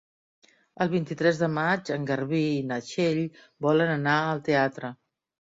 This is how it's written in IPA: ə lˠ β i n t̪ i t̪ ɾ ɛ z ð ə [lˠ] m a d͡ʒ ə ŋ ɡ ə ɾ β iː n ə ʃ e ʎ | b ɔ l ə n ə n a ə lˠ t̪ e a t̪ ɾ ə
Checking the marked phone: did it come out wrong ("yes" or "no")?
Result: yes